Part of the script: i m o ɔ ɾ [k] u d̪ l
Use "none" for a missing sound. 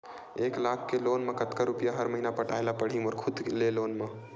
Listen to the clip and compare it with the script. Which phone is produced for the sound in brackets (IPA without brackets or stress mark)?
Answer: kʰ